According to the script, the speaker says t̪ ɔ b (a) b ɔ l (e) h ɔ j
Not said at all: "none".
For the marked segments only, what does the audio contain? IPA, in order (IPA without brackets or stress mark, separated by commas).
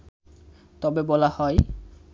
e, a